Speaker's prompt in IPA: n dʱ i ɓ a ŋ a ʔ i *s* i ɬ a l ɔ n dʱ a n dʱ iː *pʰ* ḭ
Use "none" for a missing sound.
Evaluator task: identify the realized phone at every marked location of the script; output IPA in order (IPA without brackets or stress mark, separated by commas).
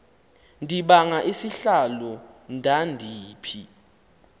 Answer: s, pʰ